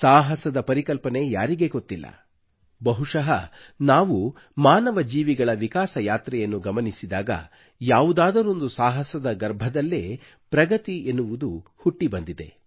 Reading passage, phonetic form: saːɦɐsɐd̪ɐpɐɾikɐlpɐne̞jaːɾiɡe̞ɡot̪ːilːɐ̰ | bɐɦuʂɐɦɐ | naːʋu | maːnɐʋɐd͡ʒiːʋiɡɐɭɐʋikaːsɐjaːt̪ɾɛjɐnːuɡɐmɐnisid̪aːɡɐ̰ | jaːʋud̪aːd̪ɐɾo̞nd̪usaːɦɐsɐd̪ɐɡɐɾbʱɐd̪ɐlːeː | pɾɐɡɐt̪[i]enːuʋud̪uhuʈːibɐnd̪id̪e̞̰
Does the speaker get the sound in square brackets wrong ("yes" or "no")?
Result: no